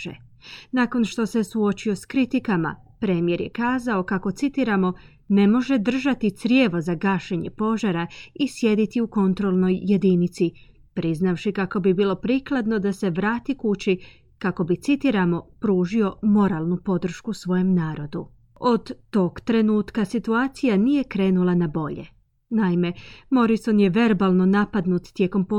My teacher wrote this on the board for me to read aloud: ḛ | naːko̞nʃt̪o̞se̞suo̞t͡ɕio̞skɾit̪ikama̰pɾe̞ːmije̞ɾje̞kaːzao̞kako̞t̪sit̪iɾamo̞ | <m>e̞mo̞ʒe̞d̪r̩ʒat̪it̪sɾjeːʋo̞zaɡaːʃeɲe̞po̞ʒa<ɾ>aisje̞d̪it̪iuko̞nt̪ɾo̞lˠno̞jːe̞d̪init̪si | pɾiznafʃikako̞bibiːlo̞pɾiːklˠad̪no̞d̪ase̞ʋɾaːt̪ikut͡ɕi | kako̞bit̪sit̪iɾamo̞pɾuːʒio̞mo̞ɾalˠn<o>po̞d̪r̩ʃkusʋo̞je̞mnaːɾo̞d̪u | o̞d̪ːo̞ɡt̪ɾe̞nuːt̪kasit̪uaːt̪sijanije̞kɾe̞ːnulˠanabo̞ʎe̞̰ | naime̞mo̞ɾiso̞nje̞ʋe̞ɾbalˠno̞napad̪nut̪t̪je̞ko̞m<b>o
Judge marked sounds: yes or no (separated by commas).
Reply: no, yes, no, no